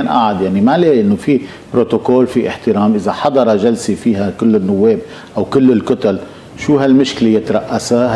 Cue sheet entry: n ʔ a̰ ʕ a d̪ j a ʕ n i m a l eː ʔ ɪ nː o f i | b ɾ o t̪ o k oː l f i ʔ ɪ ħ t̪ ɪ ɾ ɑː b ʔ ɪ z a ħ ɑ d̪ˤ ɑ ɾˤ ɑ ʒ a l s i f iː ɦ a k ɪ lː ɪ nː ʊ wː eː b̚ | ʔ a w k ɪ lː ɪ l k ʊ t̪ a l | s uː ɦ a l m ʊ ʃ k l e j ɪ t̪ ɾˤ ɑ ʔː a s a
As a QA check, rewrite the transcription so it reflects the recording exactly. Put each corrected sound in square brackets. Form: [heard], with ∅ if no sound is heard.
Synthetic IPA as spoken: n ʔ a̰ ʕ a d̪ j a ʕ n i m a l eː ʔ ɪ nː o f i | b ɾ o t̪ o k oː l f i ʔ ɪ ħ t̪ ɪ ɾ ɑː [m] ʔ ɪ z a ħ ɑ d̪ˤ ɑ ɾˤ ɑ ʒ a l s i f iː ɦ a k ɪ lː ɪ nː ʊ wː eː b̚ | ʔ a w k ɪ lː ɪ l k ʊ t̪ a l | [ʃ] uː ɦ a l m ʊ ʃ k l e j ɪ t̪ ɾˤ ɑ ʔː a s a